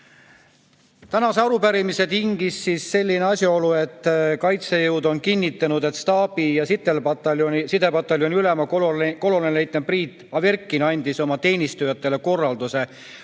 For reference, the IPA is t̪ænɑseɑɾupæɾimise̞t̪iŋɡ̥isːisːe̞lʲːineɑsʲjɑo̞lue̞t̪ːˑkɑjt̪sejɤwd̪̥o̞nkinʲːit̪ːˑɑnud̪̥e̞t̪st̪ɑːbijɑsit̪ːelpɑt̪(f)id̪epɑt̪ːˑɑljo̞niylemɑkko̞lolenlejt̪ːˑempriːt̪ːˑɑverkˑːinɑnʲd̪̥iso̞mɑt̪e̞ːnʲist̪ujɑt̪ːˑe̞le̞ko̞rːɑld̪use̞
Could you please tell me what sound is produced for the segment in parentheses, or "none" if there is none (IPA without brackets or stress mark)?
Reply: s